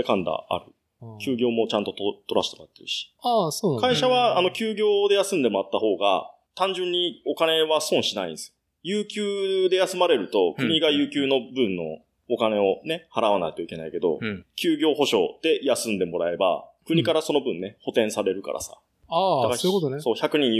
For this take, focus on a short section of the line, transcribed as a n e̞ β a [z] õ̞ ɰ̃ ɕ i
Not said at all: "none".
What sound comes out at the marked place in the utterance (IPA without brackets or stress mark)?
s